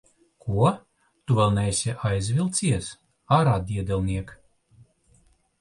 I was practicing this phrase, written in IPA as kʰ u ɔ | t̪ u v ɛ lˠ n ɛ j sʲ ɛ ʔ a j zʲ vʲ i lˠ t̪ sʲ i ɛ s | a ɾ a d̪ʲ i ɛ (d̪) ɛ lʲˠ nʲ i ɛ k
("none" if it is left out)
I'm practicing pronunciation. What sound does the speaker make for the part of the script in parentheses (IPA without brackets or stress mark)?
d̪